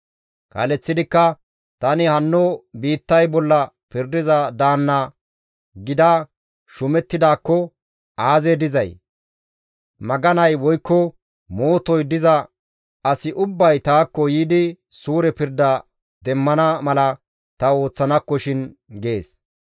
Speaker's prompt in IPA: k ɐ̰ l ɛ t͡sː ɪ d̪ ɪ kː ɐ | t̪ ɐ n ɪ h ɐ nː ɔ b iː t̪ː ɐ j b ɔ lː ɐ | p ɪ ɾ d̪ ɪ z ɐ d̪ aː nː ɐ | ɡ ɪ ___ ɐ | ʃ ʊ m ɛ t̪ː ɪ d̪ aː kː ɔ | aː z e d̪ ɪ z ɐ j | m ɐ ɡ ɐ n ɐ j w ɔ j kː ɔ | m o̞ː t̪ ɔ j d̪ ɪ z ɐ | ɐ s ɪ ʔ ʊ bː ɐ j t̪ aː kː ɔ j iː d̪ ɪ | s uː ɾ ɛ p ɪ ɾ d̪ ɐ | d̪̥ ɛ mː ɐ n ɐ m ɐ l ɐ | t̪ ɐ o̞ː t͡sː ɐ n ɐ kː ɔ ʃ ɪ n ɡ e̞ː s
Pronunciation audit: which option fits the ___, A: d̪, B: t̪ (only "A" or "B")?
A